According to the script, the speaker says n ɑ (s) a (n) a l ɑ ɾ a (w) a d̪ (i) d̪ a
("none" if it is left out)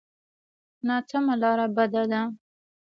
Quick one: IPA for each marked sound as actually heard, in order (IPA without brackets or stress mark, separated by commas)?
t͡s, m, b, a